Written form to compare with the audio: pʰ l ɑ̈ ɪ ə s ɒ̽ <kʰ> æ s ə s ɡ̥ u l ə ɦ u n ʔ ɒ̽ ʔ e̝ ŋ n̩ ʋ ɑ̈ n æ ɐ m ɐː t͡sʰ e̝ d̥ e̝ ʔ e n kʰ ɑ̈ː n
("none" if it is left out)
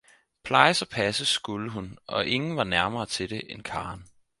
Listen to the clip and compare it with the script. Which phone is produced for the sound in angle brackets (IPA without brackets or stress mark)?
pʰ